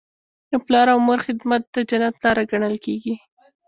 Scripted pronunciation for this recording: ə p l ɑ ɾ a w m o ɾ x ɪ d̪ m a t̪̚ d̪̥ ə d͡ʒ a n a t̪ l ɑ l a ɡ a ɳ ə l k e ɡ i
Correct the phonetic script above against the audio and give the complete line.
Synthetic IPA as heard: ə p l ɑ ɾ a w m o ɾ x ɪ d̪ m a t̪̚ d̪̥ ə d͡ʒ a n a t̪ l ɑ ɾ a ɡ a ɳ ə l k e ɡ i